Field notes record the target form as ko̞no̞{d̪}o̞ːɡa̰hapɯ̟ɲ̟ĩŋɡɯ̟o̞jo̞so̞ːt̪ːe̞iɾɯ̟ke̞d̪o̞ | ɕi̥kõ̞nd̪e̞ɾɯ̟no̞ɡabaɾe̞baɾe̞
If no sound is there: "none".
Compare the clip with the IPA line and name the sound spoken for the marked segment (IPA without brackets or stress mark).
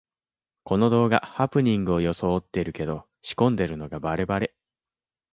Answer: d̪